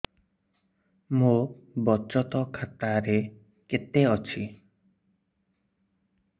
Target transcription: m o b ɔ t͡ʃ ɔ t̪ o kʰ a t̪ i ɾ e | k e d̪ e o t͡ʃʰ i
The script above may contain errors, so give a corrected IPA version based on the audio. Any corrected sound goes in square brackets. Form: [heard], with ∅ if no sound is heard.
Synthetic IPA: m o b ɔ t͡ʃ ɔ t̪ [ɔ] kʰ a t̪ [a] ɾ e | k e [t̪] e [ɔ] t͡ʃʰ i